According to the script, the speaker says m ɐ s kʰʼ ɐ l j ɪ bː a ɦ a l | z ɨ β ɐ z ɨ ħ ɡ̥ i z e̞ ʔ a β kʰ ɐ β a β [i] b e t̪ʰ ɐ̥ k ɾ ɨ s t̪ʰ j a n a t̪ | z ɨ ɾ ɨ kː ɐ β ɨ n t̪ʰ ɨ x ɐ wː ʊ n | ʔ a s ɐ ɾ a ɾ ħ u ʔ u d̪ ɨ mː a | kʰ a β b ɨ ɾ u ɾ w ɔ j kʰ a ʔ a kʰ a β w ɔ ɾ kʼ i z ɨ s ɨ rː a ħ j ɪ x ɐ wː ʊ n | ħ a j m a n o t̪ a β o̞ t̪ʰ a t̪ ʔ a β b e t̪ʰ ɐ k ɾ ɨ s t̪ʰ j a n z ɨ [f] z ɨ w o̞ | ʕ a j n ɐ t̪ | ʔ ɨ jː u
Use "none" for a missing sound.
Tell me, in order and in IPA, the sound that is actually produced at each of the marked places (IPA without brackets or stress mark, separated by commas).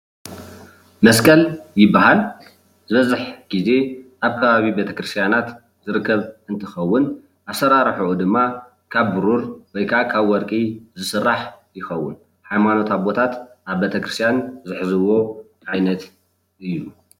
i, ħ